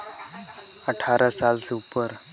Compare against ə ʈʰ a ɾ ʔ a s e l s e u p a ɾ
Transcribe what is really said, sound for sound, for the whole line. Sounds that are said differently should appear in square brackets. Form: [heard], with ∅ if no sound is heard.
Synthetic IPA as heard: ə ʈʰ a ɾ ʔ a s [a] l s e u p [ə] ɾ